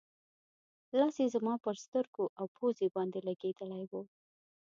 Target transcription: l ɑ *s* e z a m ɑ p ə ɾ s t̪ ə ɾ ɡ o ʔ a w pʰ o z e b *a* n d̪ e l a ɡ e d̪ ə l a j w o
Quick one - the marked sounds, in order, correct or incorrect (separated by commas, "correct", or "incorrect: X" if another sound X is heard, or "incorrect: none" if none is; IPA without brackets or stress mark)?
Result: correct, incorrect: ɑ